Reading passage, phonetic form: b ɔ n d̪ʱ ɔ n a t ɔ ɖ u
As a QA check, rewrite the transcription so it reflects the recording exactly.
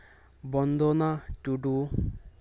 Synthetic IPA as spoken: b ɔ n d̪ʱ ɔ n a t u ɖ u

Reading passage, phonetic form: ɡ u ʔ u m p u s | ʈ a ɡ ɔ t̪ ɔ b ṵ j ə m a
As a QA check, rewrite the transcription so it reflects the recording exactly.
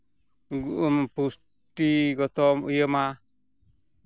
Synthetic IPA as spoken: ɡ u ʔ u m p u s | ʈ i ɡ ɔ t̪ ɔ m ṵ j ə m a

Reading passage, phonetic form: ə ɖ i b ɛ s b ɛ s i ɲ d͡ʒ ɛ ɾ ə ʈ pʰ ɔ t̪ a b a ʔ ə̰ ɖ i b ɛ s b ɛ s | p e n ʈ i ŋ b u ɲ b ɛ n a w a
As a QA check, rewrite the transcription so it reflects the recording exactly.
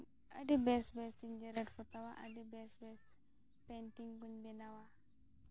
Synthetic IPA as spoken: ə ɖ i b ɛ s b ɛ s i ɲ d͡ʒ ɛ ɾ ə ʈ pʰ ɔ t̪ a w a ʔ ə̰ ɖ i b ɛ s b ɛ s | p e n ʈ i ŋ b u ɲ b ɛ n a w a

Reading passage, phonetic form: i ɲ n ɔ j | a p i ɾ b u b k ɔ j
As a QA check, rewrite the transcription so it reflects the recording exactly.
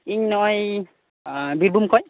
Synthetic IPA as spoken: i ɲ n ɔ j | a b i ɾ b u m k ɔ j

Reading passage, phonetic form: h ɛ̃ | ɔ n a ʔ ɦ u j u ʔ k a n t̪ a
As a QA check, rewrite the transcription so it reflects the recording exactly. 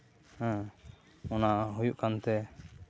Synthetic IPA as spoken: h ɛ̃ | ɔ n a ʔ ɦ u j u ʔ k a n t̪ ɛ

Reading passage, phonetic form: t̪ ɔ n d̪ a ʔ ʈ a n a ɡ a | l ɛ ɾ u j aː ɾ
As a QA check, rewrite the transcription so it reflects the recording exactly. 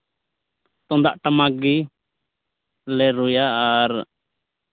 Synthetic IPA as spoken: t̪ ɔ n d̪ a ʔ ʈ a m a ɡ i | l ɛ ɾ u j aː ɾ

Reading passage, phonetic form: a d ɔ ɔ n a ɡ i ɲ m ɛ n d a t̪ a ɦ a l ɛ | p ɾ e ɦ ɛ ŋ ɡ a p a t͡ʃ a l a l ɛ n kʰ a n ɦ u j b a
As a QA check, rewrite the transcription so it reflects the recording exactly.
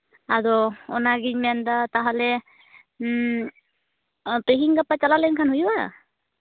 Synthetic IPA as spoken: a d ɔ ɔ n a ɡ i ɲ m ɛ n d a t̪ a ɦ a l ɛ | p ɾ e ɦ i ŋ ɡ a p a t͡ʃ a l a l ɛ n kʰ a n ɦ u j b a

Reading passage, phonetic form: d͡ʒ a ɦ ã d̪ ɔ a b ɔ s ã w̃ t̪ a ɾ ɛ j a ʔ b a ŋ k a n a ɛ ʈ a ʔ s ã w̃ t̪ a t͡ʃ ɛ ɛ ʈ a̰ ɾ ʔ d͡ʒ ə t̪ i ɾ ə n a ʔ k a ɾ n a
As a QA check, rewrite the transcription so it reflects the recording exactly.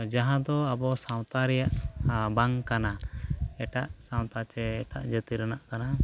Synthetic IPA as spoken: d͡ʒ a ɦ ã d̪ ɔ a b ɔ s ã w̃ t̪ a ɾ ɛ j a ʔ b a ŋ k a n a ɛ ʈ a ʔ s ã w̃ t̪ a t͡ʃ ɛ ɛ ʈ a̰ ʔ d͡ʒ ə t̪ i ɾ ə n a ʔ k a n a

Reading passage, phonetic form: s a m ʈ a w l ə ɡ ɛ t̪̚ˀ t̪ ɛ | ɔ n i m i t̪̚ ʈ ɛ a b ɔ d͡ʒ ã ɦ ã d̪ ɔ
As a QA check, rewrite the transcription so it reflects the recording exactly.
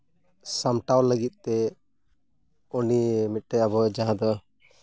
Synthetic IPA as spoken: s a m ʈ a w l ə ɡ i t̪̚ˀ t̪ ɛ | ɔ n i m i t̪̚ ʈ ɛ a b ɔ d͡ʒ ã ɦ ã d̪ ɔ

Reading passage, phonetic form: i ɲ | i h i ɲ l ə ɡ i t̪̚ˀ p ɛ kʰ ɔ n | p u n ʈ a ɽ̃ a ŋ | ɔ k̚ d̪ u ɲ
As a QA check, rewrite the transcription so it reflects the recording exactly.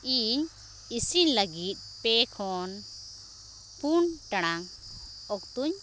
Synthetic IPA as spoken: i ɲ | i s i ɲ l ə ɡ i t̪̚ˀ p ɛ kʰ ɔ n | p u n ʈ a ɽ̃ a ŋ | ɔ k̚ t̪ u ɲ

